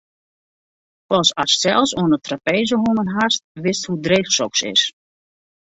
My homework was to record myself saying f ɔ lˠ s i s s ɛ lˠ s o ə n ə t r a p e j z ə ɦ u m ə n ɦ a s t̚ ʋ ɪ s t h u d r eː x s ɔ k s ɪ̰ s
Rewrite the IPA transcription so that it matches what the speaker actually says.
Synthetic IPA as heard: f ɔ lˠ s a s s ɛ lˠ s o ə n ə t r a p e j z ə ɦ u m ə n ɦ a s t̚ ʋ ɪ s t h u d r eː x s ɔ k s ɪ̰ s